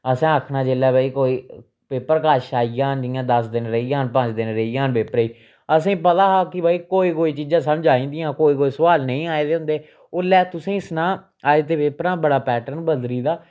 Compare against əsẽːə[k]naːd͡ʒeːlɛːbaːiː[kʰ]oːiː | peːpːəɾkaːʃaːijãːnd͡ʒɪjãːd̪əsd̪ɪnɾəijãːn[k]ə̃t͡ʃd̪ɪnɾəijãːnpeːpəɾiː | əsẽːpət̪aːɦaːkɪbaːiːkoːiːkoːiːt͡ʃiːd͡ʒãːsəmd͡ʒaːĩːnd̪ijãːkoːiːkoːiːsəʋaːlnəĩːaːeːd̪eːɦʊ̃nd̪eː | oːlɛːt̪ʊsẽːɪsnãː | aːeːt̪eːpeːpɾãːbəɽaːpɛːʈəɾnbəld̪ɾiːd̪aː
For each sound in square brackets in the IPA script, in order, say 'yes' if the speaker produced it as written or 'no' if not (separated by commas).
no, no, no